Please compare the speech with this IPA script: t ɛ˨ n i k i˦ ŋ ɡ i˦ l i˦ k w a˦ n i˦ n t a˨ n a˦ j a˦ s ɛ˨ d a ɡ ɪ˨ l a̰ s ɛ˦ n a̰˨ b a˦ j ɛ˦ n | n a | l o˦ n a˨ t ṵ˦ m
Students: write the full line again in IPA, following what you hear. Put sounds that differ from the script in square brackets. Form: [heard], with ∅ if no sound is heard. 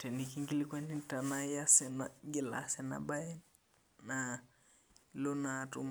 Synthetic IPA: t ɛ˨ n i k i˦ ŋ ɡ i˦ l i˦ k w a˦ n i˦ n t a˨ n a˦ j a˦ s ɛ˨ [n] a ɡ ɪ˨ l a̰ s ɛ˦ n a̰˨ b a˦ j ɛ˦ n | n a | l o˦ n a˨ t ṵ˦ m